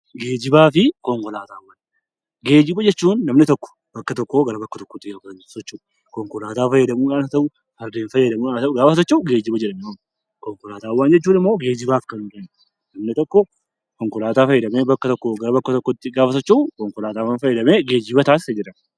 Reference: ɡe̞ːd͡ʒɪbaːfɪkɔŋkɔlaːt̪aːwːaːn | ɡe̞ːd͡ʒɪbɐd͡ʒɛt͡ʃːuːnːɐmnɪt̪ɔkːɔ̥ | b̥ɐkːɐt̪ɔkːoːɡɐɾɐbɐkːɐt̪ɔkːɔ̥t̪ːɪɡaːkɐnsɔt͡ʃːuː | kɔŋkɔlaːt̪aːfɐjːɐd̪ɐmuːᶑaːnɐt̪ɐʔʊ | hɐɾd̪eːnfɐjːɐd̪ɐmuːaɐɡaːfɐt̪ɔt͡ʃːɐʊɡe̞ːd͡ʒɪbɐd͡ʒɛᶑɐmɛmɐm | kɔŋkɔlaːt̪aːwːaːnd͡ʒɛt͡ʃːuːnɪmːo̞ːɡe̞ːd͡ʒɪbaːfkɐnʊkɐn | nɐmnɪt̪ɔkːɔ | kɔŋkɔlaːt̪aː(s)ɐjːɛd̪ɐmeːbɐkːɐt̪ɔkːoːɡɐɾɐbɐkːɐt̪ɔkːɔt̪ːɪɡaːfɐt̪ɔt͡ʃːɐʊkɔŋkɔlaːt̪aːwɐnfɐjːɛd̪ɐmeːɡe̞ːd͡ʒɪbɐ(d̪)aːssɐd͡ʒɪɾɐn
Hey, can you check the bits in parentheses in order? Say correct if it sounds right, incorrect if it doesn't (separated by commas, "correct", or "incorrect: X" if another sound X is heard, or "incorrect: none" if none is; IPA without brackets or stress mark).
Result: incorrect: f, incorrect: t̪